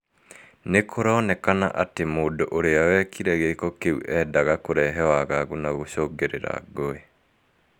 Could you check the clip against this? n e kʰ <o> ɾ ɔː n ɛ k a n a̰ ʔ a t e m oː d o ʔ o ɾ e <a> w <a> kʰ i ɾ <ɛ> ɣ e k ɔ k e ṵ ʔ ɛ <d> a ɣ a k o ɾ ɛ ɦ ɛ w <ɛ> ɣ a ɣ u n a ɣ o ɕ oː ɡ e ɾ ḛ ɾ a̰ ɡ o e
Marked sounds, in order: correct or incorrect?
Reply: correct, correct, incorrect: ɛ, correct, correct, incorrect: a

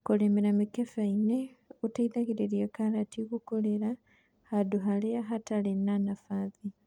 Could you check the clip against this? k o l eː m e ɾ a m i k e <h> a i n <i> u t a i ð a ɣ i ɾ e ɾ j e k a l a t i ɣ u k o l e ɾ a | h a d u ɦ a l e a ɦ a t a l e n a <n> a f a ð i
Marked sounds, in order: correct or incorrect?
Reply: incorrect: f, incorrect: e, correct

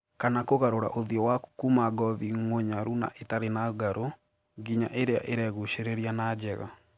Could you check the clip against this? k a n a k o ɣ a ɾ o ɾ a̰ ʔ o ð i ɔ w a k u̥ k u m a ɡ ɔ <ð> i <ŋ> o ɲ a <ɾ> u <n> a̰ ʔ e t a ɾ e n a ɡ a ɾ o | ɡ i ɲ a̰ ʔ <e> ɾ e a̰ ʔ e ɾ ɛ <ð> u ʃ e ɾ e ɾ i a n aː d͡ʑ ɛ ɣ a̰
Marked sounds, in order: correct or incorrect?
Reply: correct, correct, correct, correct, correct, incorrect: ɣ

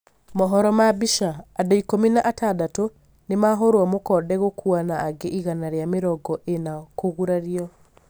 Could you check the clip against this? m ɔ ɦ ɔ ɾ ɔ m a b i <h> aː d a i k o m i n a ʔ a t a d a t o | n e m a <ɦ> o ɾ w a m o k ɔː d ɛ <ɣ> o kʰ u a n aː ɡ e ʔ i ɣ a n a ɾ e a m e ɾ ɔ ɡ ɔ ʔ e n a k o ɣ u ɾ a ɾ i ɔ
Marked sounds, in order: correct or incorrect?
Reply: incorrect: ʃ, correct, correct

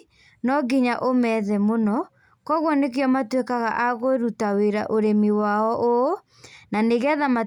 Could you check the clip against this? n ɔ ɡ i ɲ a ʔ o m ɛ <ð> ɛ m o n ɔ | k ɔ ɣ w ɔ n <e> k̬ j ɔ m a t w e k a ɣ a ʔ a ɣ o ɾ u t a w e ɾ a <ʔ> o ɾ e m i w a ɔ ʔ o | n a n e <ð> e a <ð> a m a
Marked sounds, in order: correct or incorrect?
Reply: correct, correct, correct, incorrect: ɣ, correct

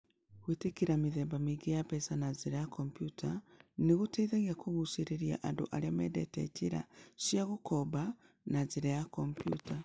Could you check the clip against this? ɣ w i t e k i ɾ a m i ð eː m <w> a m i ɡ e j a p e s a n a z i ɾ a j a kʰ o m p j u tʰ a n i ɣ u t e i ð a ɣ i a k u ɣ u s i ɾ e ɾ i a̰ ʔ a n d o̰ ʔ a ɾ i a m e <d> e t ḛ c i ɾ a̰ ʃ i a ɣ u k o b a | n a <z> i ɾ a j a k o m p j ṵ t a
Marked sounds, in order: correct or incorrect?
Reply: incorrect: b, correct, correct

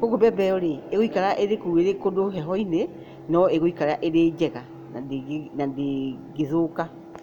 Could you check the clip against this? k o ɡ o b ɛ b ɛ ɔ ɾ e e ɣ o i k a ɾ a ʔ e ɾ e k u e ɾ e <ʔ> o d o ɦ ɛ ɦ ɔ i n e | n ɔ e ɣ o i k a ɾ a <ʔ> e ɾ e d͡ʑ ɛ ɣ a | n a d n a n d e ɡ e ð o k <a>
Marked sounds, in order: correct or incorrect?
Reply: incorrect: k, correct, correct

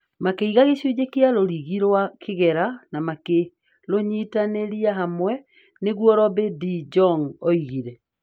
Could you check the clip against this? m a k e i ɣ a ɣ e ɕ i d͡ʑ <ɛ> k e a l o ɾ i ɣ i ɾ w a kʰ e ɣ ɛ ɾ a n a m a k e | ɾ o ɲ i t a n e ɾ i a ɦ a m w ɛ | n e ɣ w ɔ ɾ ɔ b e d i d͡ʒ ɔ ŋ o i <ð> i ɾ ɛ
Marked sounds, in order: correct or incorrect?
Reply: incorrect: e, incorrect: ɣ

